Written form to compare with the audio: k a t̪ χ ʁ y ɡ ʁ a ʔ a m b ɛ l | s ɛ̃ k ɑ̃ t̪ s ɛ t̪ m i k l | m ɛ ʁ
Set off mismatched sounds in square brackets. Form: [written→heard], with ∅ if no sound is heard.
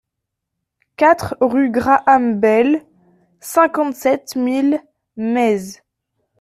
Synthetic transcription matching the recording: k a t̪ χ ʁ y ɡ ʁ a ʔ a m b ɛ l | s ɛ̃ k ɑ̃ t̪ s ɛ t̪ m i [k→∅] l | m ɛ [ʁ→z]